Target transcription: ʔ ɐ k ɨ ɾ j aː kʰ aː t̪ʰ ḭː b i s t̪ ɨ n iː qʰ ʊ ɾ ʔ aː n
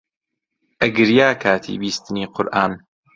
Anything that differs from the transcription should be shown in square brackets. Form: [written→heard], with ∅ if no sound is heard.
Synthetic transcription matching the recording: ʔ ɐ [k→ɡ] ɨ ɾ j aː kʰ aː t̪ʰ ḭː b [i→iː] s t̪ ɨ n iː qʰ ʊ ɾ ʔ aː n